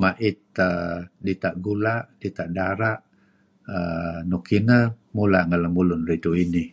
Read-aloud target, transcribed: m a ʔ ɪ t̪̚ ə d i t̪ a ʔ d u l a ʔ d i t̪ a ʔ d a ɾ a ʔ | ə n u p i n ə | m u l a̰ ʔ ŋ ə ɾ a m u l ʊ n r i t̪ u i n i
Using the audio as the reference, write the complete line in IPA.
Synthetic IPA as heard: m a ʔ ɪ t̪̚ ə d i t̪ a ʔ ɡ u l a ʔ d i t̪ a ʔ d a ɾ a ʔ | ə n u k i n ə | m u l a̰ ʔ ŋ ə l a m u l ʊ n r i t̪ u i n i